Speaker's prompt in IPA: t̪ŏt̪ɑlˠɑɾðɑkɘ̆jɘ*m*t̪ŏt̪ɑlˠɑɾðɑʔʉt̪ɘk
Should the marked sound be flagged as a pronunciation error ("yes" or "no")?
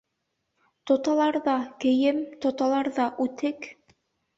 no